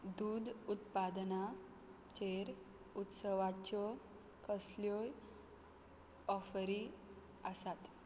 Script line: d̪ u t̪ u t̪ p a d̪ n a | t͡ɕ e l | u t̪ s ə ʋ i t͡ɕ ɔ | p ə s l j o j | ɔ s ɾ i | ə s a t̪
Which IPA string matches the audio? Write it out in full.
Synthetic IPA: d̪ u d̪ u t̪ p a d̪ n a | t͡ɕ e ɾ | u t̪ s ə ʋ a t͡ɕ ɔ | k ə s l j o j | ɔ f ɾ i | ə s a t̪